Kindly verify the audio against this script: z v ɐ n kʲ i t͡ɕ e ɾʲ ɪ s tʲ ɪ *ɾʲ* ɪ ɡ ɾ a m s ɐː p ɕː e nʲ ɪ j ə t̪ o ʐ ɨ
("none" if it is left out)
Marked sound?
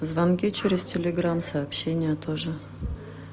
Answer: lʲ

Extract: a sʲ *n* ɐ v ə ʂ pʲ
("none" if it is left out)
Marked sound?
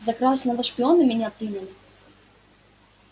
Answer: n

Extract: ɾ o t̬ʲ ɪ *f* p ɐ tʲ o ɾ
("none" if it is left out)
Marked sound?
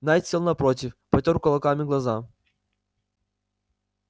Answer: f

